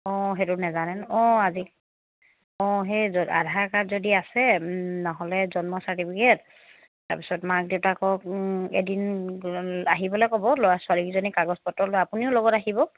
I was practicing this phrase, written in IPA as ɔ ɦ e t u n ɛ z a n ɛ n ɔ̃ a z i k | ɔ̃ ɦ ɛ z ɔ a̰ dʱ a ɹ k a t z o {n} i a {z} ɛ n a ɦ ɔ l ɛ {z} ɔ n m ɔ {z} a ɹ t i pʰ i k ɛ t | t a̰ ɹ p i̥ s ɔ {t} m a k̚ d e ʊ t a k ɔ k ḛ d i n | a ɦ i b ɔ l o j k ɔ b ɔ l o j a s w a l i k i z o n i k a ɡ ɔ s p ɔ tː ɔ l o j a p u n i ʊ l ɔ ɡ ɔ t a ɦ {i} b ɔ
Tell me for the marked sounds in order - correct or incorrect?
incorrect, incorrect, correct, incorrect, correct, correct

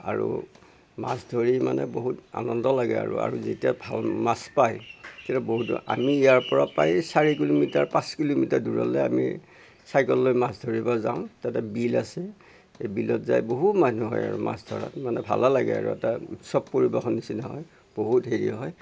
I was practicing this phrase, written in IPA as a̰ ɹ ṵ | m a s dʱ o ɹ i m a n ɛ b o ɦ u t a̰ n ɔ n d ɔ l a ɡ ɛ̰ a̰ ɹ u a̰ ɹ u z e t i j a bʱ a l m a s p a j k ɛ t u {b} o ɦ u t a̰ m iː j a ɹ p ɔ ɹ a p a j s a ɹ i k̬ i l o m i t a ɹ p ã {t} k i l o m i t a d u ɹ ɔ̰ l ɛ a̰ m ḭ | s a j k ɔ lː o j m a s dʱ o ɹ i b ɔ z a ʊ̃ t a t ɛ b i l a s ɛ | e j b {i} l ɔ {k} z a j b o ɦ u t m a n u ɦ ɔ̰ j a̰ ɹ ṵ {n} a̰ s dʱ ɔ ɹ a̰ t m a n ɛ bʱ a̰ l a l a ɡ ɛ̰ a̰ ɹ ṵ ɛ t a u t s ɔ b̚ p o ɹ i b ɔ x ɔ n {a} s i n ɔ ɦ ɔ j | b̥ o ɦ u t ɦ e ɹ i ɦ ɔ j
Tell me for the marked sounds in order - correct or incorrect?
correct, incorrect, correct, incorrect, incorrect, incorrect

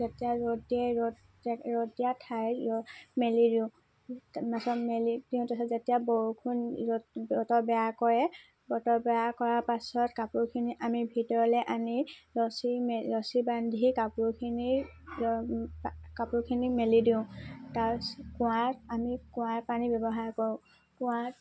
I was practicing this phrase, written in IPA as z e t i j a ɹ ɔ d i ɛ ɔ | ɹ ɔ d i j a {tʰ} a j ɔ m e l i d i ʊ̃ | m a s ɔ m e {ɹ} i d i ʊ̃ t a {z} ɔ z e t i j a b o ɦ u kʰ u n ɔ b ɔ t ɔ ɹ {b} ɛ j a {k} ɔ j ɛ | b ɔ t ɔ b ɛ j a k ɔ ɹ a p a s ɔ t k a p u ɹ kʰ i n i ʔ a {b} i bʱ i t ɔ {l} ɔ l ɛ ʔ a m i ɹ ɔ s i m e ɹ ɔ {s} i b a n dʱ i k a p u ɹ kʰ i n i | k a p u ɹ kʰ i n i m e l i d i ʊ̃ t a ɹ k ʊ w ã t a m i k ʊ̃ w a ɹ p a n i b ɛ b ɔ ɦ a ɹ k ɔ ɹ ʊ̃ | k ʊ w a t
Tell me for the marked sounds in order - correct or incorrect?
correct, incorrect, incorrect, correct, correct, incorrect, incorrect, correct

